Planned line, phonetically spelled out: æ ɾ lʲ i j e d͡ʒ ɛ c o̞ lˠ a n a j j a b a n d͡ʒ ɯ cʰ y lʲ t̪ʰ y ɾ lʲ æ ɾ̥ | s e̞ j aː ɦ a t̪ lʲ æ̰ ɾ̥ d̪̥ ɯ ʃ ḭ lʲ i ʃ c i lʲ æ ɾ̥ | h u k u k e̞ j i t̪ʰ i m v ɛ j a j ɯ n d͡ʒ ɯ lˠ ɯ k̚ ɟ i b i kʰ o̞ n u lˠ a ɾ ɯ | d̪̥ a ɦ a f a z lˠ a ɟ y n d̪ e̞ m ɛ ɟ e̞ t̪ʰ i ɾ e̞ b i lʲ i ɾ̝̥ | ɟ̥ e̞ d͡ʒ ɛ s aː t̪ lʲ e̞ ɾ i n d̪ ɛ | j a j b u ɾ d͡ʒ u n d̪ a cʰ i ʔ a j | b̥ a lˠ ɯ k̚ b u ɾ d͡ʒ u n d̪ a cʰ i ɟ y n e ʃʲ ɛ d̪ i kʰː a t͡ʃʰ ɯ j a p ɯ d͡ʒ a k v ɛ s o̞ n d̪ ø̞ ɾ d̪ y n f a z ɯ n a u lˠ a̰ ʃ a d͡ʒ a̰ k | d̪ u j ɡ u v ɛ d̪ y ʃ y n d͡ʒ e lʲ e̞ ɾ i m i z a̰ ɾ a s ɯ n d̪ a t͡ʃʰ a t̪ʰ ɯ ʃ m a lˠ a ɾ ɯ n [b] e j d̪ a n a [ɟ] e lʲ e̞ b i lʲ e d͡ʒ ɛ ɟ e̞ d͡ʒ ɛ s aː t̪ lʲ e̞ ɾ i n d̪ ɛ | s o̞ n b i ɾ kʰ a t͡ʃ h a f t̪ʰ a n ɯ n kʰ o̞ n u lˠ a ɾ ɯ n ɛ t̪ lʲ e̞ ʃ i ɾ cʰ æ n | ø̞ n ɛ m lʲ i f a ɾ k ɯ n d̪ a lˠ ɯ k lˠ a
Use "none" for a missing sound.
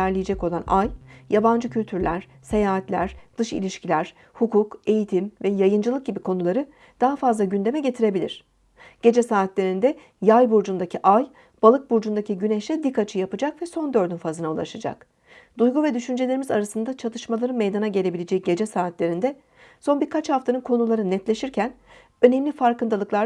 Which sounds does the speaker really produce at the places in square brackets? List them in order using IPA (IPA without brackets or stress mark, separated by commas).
m, ɟ